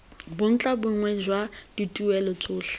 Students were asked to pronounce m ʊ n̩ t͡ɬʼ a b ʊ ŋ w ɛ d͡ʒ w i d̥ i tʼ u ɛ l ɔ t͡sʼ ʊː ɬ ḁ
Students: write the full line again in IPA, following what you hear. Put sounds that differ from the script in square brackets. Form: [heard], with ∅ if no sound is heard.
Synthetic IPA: [b] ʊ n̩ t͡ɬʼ a b ʊ ŋ w ɛ d͡ʒ w [a] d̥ i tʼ u ɛ l ɔ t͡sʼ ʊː ɬ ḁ